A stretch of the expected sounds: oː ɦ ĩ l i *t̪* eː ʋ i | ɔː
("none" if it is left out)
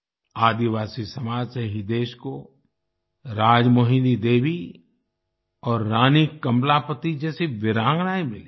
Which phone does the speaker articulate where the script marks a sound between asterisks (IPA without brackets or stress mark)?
d̪